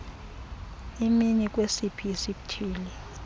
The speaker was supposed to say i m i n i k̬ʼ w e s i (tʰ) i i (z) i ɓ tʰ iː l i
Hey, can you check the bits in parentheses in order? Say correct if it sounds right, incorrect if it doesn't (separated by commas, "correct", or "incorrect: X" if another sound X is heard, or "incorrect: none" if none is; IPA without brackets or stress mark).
incorrect: pʰ, incorrect: s